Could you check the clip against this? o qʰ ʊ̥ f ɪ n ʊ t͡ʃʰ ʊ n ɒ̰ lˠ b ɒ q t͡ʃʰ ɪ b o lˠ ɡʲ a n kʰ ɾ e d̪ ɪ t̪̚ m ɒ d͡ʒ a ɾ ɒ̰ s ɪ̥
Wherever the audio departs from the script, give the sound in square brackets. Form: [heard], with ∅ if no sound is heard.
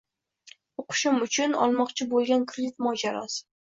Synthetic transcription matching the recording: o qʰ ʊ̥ [ʃ] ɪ [m] ʊ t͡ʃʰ ʊ n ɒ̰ lˠ [m] ɒ q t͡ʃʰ ɪ b o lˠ ɡʲ a n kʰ ɾ e d̪ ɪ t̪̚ m ɒ d͡ʒ a ɾ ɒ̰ s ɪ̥